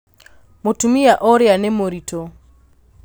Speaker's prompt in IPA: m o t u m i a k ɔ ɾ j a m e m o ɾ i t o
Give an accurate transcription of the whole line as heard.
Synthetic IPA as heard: m o t u m i a ʔ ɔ ɾ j a n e m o ɾ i t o